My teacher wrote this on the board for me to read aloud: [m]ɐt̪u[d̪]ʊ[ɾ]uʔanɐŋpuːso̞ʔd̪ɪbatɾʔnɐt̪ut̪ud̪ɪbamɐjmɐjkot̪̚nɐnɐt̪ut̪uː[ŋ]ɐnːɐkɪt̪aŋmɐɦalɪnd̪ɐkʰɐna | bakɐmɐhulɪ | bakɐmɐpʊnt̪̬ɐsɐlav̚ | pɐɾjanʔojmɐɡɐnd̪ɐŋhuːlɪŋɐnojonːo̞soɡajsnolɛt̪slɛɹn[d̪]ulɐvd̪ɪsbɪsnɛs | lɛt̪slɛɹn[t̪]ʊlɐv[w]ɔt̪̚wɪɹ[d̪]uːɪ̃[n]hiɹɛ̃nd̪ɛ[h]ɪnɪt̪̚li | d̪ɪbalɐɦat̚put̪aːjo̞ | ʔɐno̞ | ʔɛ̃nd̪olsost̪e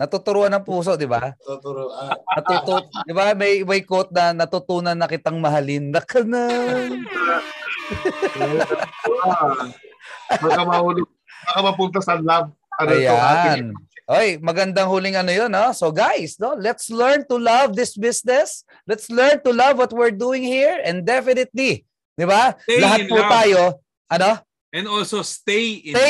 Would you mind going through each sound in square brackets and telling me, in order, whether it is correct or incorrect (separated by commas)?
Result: incorrect, incorrect, correct, incorrect, incorrect, correct, correct, correct, incorrect, incorrect